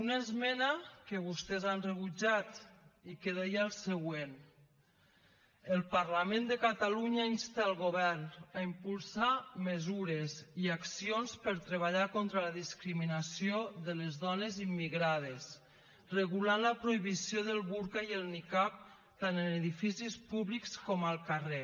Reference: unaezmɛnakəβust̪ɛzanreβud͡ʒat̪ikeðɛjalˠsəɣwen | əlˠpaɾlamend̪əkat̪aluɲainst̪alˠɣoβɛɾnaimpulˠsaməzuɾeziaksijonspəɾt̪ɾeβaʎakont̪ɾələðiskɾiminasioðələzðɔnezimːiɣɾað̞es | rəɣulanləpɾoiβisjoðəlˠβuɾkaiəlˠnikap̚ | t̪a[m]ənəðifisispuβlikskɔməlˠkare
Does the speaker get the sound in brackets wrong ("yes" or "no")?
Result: yes